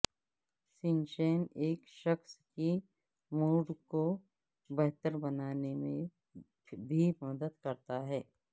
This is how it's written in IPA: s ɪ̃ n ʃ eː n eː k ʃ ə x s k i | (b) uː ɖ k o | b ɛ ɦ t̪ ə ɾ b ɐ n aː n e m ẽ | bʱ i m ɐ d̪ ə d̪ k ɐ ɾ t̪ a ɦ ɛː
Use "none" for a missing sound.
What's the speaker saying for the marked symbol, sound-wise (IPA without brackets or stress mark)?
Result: m